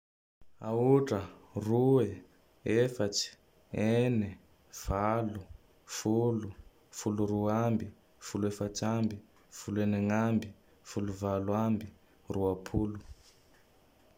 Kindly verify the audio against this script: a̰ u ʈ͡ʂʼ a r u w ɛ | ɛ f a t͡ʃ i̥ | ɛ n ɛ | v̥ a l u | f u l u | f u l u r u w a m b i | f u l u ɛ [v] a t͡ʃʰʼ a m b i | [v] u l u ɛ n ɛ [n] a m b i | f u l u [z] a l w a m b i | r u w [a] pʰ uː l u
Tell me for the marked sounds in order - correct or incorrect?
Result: incorrect: f, incorrect: f, incorrect: ŋ, incorrect: v, correct

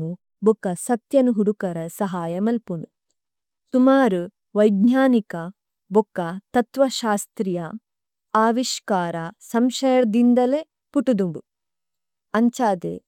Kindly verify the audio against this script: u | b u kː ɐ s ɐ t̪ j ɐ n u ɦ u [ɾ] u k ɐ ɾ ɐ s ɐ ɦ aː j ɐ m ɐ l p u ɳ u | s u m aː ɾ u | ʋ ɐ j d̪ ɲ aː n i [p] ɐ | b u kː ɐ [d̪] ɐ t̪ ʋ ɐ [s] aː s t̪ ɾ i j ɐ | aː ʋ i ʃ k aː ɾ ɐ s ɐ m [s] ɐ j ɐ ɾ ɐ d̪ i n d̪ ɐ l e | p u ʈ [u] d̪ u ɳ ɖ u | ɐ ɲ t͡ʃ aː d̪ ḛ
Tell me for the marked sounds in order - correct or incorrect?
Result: incorrect: ɽ, incorrect: k, incorrect: t̪, incorrect: ʃ, incorrect: ʃ, correct

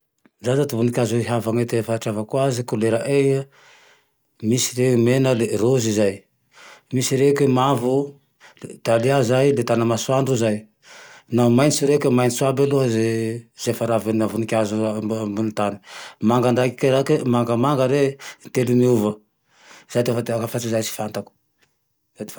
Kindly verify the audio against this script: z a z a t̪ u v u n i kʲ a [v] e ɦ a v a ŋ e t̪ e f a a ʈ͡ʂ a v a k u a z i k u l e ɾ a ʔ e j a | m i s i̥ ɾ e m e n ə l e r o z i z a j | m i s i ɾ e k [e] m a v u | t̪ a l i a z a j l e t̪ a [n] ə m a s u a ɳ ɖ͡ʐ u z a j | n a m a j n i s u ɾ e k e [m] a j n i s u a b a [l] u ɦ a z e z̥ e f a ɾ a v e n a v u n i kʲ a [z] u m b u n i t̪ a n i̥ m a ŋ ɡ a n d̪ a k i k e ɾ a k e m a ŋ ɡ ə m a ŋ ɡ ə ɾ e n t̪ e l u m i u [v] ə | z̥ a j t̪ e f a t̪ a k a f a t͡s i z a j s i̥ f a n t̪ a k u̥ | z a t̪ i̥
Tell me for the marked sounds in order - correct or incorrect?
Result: incorrect: z, correct, correct, correct, correct, correct, correct

